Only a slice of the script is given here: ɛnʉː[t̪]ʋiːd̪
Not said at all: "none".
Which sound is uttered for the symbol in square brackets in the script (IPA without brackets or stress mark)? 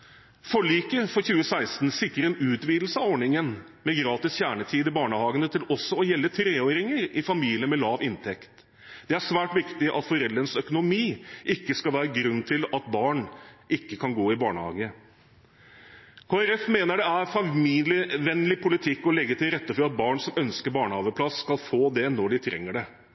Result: t̪